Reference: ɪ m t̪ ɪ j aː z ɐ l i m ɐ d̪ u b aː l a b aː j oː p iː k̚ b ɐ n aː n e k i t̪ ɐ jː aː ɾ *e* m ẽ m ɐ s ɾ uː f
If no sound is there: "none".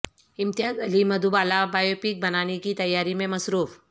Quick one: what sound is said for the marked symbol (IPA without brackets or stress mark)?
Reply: i